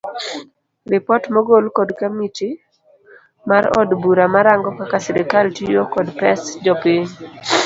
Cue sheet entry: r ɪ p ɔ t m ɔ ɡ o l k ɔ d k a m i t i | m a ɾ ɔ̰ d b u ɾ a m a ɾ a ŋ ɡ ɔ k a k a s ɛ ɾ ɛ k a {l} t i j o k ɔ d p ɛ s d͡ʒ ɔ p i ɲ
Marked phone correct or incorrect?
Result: correct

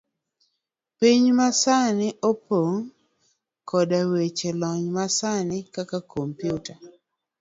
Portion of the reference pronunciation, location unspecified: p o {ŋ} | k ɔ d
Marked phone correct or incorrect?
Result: correct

